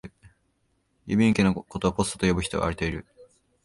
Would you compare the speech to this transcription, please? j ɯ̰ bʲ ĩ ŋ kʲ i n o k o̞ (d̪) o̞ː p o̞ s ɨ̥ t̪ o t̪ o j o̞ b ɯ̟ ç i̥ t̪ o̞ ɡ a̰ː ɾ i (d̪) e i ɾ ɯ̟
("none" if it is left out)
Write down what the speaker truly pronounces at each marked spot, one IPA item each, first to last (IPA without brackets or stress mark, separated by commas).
t̪, t̪